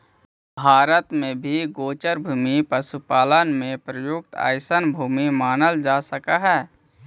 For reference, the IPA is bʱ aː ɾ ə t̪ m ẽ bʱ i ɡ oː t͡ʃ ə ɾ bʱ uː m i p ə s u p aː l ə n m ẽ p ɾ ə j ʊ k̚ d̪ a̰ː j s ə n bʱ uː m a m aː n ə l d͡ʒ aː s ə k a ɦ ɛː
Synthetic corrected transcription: bʱ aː ɾ ə t̪ m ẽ bʱ i ɡ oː t͡ʃ ə ɾ bʱ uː m i p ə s u p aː l ə n m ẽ p ɾ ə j ʊ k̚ t̪ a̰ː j s ə n bʱ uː m i m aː n ə l d͡ʒ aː s ə k a ɦ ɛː